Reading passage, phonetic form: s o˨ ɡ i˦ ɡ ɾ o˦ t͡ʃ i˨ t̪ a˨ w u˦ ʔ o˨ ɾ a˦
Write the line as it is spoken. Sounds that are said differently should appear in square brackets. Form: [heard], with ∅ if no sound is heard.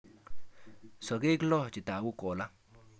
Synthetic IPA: s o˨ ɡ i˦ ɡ [l] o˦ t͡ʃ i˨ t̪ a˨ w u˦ [k] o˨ [l] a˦